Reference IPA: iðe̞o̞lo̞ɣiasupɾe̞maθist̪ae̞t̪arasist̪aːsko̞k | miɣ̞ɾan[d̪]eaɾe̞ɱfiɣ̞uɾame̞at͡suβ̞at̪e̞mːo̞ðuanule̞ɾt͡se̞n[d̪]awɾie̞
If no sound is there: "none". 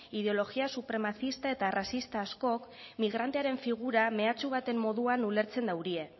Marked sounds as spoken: t̪, d̪

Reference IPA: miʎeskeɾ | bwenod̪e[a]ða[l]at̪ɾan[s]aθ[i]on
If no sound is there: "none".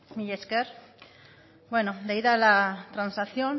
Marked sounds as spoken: i, l, s, j

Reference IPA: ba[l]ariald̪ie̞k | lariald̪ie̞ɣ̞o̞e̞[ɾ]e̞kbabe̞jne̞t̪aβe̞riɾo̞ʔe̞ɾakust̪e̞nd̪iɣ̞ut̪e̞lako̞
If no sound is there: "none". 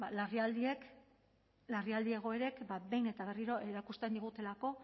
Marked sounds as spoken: l, ɾ

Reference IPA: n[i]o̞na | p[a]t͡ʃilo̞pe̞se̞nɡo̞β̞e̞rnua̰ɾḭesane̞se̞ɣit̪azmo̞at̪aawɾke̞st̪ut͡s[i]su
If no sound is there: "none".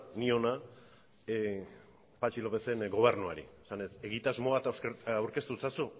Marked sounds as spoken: i, a, a

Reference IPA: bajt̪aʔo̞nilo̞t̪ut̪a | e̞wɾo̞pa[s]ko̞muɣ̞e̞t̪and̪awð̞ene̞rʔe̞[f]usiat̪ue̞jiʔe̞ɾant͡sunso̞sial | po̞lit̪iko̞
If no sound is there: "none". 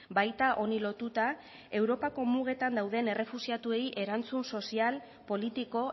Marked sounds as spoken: none, f

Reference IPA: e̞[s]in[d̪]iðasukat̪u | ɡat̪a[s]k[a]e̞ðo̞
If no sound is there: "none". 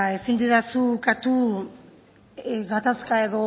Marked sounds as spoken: s, d̪, s, a

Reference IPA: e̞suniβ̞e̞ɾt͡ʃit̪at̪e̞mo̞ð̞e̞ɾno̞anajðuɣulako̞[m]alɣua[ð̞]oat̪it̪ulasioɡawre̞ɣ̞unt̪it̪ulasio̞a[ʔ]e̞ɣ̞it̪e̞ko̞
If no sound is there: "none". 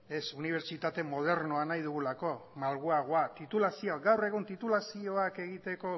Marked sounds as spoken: m, ɣ̞, k

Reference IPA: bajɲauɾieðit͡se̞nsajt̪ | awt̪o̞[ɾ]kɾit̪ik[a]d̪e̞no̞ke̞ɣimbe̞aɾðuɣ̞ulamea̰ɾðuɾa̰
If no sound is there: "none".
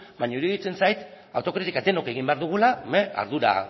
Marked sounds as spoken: none, a

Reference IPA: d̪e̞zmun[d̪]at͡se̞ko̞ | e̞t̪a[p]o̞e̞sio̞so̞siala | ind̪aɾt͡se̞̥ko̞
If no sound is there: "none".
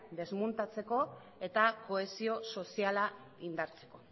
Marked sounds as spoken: t̪, k

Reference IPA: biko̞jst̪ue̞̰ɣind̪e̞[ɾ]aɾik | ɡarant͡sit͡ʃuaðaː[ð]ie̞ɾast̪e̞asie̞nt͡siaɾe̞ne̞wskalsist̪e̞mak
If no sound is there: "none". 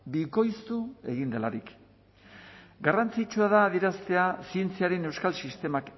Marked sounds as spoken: l, ð

